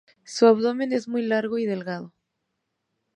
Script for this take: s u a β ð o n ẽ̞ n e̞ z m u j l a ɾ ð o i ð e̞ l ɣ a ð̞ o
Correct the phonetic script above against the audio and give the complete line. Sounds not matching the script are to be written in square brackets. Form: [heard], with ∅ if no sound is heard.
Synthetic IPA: s u a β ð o [m] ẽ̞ n e̞ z m u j l a ɾ [ɣ] o i ð e̞ l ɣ a ð̞ o